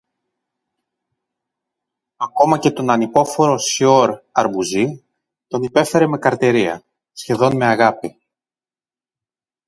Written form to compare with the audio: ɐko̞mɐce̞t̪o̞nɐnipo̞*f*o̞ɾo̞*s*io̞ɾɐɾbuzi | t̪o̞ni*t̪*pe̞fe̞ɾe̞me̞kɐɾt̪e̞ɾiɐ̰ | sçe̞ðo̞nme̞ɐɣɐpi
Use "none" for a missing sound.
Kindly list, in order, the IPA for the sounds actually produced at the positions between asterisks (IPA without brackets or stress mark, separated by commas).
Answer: f, s, none